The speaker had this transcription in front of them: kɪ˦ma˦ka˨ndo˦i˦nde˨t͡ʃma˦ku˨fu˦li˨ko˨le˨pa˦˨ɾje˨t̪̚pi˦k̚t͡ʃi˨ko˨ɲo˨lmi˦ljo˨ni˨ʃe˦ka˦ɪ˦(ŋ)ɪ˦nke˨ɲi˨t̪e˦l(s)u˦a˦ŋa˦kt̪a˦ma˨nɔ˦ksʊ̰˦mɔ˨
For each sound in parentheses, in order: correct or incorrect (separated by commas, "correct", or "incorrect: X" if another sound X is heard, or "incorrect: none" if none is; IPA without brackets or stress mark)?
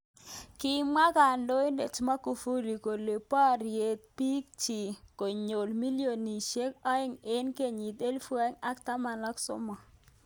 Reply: correct, incorrect: f